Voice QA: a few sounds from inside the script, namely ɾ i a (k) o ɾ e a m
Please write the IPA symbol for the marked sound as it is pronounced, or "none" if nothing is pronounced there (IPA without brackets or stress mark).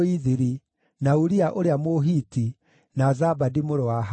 ʔ